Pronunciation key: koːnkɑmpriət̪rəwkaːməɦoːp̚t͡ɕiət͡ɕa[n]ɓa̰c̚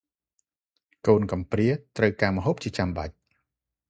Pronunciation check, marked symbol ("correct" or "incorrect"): incorrect